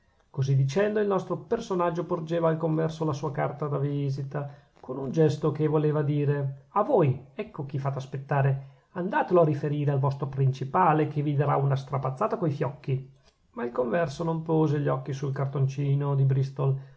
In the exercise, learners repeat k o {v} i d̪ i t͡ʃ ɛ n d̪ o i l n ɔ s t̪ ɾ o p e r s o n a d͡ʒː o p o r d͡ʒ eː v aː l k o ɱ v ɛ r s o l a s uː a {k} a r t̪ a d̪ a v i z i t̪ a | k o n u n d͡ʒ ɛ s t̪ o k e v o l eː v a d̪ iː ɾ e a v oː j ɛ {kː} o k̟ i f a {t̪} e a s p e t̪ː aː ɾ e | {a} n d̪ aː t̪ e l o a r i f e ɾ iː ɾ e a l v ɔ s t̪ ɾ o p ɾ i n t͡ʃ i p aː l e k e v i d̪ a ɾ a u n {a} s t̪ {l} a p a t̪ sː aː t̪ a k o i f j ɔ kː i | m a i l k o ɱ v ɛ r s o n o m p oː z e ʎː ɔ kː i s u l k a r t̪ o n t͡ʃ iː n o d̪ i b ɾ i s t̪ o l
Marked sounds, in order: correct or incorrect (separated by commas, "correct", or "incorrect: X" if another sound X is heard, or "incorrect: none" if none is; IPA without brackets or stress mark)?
incorrect: z, correct, correct, correct, correct, correct, incorrect: ɾ